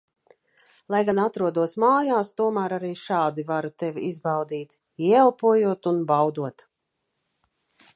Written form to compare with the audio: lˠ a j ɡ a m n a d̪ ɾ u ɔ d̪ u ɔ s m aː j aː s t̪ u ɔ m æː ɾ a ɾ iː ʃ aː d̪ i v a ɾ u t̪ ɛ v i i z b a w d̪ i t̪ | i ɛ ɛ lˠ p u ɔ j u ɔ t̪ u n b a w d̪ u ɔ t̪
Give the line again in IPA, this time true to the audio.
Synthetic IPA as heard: lˠ a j ɡ a n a t̪ ɾ u ɔ d̪ u ɔ s m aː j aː s t̪ u ɔ m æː ɾ a ɾ iː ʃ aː d̪ i v a ɾ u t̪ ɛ v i i z b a w d̪ iː t̪ | i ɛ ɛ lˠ p u ɔ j u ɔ t̪ u n b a w d̪ u ɔ t̪